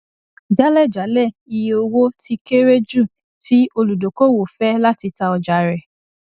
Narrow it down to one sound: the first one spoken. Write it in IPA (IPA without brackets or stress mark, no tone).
d͡ʒ